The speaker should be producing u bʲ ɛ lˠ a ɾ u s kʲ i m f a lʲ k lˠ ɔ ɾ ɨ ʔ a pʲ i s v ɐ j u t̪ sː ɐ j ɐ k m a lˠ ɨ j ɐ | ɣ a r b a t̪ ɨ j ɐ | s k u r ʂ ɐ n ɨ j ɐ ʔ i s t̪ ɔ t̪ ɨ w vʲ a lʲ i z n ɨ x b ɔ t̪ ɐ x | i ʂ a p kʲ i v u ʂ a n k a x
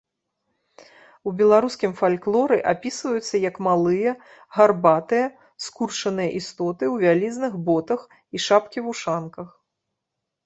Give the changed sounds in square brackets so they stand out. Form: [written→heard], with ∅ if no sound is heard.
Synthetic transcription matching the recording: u bʲ ɛ lˠ a ɾ u s kʲ i m f a lʲ k lˠ ɔ ɾ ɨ ʔ a pʲ i s v ɐ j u t̪ sː ɐ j ɐ k m a lˠ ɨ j ɐ | ɣ a r b a t̪ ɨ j ɐ | s k u r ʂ ɐ n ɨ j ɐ ʔ i s t̪ ɔ t̪ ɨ w vʲ a lʲ i z n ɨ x b ɔ t̪ ɐ x | i ʂ a p kʲ i v u ʂ a n k [a→ɐ] x